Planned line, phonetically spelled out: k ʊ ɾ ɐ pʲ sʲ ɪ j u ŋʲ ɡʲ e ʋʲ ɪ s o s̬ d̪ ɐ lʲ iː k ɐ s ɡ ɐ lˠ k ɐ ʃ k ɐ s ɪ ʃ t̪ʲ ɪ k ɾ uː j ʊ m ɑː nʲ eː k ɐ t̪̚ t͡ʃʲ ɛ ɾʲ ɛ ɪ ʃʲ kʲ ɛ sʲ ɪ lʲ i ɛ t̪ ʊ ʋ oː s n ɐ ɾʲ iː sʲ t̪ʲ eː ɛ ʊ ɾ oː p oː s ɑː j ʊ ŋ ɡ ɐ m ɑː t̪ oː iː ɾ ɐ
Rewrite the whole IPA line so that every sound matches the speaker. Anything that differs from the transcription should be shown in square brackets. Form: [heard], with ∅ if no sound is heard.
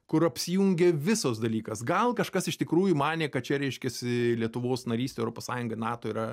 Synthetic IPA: k ʊ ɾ ɐ pʲ sʲ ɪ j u ŋʲ ɡʲ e ʋʲ ɪ s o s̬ d̪ ɐ lʲ iː k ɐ s ɡ ɐ lˠ k ɐ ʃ k ɐ s ɪ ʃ t̪ʲ ɪ k ɾ uː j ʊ m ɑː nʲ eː k ɐ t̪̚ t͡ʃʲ ɛ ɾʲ ɛ ɪ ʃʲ kʲ ɛ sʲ ɪ lʲ i ɛ t̪ ʊ ʋ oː s n ɐ ɾʲ iː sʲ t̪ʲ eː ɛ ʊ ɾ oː p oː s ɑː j ʊ ŋ ɡ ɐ [n] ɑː t̪ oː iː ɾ ɐ